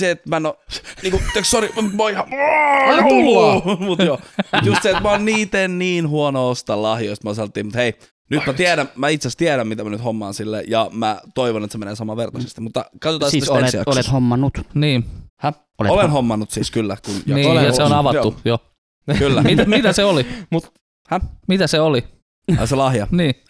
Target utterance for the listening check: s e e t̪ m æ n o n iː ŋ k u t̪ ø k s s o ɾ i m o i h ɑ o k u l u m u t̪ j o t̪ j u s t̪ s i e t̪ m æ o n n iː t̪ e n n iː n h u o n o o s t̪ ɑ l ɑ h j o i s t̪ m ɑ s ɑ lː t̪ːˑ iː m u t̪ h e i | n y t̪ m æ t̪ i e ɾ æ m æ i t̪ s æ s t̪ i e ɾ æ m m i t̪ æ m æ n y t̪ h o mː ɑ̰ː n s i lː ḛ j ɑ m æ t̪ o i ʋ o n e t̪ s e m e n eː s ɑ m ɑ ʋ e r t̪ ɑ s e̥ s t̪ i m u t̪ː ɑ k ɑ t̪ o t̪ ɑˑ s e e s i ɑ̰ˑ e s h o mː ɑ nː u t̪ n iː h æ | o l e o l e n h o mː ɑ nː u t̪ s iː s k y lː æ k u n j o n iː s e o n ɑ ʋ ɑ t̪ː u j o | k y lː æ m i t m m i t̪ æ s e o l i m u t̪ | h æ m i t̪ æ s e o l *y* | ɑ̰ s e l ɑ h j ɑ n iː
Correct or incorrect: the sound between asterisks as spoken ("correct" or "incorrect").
incorrect